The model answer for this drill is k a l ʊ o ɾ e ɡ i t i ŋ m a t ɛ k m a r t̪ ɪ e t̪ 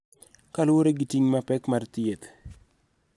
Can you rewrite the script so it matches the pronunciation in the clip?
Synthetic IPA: k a l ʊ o ɾ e ɡ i t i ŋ m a p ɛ k m a r t̪ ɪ e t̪